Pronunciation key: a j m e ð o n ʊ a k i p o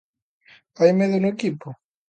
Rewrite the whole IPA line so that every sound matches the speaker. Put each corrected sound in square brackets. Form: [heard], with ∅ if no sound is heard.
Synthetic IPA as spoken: a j m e ð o n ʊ [e] k i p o